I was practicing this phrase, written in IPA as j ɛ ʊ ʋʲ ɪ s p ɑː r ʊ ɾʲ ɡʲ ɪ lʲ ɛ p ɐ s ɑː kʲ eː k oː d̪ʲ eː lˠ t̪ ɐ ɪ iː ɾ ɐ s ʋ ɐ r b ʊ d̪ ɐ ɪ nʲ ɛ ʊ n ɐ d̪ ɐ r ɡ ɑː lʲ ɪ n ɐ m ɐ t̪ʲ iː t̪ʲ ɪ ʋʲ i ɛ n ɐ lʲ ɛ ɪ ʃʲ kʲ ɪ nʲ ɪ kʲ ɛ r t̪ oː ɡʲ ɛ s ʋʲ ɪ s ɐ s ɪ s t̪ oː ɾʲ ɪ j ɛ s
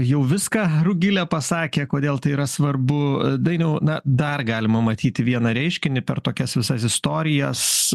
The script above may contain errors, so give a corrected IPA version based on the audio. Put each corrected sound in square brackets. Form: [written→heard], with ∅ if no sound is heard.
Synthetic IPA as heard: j ɛ ʊ ʋʲ ɪ s [p→k] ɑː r ʊ [ɾʲ→∅] ɡʲ ɪ lʲ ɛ p ɐ s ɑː kʲ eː k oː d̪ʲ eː lˠ t̪ ɐ ɪ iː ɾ ɐ s ʋ ɐ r b ʊ d̪ ɐ ɪ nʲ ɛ ʊ n ɐ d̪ ɐ r ɡ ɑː lʲ ɪ [n→m] ɐ m ɐ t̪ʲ iː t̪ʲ ɪ ʋʲ i ɛ n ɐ [lʲ→ɾʲ] ɛ ɪ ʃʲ kʲ ɪ nʲ ɪ [kʲ→pʲ] ɛ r t̪ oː [ɡʲ→kʲ] ɛ s ʋʲ ɪ s ɐ s ɪ s t̪ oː ɾʲ ɪ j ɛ s